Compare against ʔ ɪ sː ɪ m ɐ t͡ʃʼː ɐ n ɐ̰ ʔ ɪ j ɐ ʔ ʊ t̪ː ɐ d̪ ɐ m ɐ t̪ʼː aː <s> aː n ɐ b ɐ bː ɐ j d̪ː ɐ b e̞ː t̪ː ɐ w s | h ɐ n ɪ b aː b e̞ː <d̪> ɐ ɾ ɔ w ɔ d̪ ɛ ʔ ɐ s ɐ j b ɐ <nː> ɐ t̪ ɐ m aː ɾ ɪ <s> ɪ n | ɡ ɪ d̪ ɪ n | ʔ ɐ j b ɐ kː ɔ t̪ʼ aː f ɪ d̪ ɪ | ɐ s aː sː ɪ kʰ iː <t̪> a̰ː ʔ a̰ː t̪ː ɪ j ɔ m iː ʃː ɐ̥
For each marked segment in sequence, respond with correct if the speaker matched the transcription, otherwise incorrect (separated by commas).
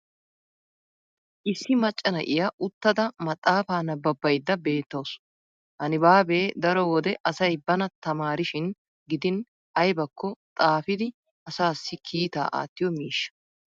incorrect, correct, incorrect, incorrect, correct